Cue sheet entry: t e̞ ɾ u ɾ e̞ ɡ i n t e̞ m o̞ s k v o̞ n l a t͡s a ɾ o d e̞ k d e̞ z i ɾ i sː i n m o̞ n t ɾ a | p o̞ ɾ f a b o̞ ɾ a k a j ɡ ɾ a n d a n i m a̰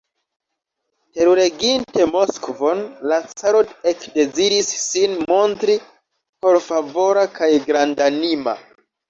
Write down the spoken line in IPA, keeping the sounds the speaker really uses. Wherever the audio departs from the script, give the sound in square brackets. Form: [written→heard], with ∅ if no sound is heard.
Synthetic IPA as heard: t e̞ ɾ u ɾ e̞ ɡ i n t e̞ m o̞ s k v o̞ n l a t͡s a ɾ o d e̞ k d e̞ z i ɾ i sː i n m o̞ n t ɾ [a→i] | p o̞ ɾ f a [b→v] o̞ ɾ a k a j ɡ ɾ a n d a n i m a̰